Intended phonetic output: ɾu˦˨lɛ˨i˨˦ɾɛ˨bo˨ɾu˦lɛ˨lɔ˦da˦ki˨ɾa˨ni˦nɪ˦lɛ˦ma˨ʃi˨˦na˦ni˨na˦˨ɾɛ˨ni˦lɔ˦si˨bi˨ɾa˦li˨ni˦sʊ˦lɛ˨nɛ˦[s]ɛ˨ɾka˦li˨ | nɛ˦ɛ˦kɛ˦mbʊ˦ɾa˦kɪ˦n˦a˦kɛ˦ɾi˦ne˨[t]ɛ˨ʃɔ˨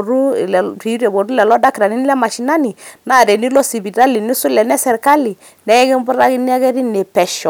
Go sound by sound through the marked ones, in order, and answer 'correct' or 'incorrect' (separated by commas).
correct, incorrect